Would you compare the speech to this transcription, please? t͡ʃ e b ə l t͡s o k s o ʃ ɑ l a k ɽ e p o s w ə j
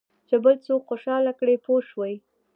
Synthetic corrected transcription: t͡ʃ e b ə l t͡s o k x o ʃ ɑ l a k ɽ e p o ʃ w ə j